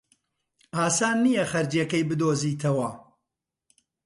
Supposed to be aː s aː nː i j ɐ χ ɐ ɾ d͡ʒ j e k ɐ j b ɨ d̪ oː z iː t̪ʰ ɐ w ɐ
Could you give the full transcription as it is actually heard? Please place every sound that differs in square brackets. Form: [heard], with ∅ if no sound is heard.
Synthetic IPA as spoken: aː s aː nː i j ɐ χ ɐ ɾ d͡ʒ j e k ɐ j b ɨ d̪ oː z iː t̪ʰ ɐ w ɐ